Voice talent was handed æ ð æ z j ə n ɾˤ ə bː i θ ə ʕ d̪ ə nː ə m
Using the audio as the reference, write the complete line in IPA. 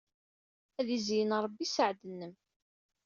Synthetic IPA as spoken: æ ð i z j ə n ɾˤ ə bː i s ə ʕ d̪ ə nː ə m